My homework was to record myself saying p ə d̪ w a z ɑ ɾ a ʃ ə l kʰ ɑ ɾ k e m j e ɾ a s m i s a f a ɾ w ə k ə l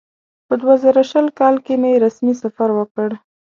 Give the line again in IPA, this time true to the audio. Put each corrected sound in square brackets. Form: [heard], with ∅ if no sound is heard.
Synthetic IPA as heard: p ə d̪ w a z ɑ ɾ a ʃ ə l [k] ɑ [l] k e m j e ɾ a s m i s a f a ɾ w ə k ə [ɽ]